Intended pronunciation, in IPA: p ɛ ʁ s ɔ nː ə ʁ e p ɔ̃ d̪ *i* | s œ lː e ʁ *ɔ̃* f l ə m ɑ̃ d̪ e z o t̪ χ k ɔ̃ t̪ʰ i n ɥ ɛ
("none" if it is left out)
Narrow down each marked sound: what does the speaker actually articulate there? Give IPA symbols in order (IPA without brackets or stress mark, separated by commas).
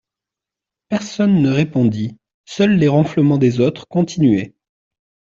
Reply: i, ɔ̃